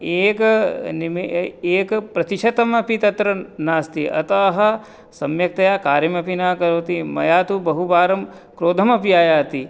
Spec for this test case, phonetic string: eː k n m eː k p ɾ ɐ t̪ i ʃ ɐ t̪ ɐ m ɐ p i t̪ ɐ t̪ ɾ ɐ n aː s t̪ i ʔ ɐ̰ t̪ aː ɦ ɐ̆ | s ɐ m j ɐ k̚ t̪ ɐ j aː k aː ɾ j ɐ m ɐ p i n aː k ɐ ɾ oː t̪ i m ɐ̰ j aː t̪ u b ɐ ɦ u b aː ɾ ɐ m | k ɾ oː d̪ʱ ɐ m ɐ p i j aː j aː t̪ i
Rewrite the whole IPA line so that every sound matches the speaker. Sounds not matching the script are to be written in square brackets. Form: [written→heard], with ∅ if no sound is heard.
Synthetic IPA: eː k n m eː k p ɾ ɐ t̪ i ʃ ɐ t̪ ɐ m ɐ p i t̪ ɐ t̪ ɾ ɐ n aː s t̪ i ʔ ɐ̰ t̪ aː ɦ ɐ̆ | s ɐ m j ɐ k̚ t̪ ɐ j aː k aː ɾ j ɐ m ɐ p i n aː k ɐ ɾ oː t̪ i m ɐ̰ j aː t̪ u b ɐ ɦ u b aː ɾ ɐ m | k ɾ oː d̪ʱ ɐ m ɐ p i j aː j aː t̪ i